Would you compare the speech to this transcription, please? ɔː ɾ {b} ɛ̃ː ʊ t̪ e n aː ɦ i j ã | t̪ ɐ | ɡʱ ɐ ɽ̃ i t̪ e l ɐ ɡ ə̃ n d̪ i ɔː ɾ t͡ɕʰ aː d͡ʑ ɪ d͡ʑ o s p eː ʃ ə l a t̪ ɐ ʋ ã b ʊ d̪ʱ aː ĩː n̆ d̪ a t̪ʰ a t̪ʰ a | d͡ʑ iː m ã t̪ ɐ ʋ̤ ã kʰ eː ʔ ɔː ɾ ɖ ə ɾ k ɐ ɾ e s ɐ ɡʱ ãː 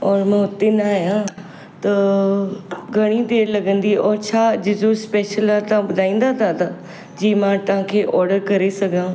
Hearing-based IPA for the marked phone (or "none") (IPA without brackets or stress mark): m